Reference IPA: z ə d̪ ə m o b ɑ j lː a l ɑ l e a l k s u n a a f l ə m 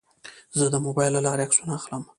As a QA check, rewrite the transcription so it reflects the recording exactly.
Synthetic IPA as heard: z ə d̪ ə m o b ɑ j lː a l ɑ ɾ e a k s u n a a x l ə m